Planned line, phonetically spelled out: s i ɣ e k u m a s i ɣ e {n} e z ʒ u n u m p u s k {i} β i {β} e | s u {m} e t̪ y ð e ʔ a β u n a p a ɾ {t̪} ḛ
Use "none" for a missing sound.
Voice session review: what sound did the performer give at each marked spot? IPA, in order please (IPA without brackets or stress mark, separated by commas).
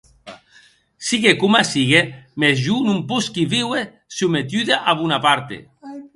m, i, w, m, t̪